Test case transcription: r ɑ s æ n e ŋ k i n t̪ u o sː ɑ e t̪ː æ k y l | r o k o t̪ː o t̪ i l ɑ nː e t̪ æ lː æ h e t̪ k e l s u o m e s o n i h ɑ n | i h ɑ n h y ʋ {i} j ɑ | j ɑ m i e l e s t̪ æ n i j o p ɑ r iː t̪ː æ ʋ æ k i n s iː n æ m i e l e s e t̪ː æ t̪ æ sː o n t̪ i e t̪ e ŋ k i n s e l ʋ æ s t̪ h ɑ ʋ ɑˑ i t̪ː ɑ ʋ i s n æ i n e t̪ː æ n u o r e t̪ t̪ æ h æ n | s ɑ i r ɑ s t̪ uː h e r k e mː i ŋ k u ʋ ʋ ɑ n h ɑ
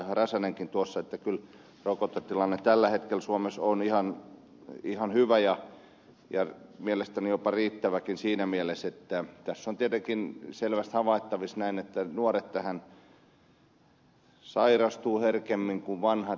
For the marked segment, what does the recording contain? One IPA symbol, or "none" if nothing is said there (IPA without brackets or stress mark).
æ